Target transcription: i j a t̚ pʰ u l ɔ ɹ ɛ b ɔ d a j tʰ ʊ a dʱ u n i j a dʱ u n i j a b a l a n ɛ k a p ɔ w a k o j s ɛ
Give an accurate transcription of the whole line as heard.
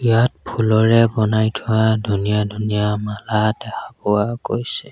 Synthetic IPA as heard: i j a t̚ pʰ u l ɔ ɹ ɛ b ɔ n a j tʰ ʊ a dʱ u n i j a dʱ u n i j a m a l a d ɛ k a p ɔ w a k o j s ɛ